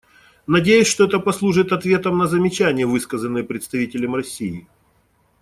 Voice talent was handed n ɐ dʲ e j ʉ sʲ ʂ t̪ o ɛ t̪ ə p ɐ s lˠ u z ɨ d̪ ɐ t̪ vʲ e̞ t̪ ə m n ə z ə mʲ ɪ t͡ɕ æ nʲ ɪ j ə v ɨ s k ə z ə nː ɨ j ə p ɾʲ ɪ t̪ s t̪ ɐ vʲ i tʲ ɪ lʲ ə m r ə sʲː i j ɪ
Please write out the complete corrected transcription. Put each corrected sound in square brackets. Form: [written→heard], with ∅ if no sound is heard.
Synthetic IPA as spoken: n ɐ dʲ e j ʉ sʲ ʂ t̪ o ɛ t̪ ə p ɐ s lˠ u [z→ʐ] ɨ [d̪→t̪] ɐ t̪ vʲ e̞ t̪ ə m n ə z ə mʲ ɪ t͡ɕ æ nʲ ɪ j ə v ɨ s k ə z ə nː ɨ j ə p ɾʲ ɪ t̪ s t̪ ɐ vʲ i tʲ ɪ lʲ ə m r [ə→ɐ] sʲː i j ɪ